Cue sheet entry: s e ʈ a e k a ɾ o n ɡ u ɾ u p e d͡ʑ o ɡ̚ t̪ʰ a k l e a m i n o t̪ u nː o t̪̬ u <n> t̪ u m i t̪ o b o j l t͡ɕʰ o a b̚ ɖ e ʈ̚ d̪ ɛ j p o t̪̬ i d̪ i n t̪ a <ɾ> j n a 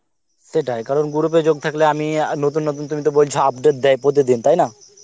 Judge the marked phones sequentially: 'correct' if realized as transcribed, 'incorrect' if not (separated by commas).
correct, incorrect